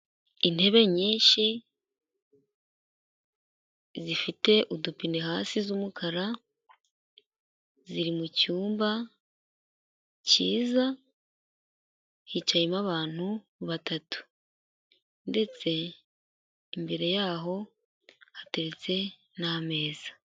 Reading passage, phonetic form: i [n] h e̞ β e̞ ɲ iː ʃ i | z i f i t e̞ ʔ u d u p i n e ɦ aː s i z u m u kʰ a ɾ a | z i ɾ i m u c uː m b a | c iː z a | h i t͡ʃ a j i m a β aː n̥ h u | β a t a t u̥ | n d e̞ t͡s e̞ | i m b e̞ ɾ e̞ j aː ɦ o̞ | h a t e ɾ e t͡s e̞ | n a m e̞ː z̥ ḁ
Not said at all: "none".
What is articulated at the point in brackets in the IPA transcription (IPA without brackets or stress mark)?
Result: n